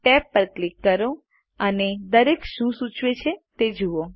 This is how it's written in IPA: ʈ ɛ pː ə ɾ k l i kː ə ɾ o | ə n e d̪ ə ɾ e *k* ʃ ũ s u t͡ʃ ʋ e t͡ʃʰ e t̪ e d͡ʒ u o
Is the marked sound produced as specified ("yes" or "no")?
yes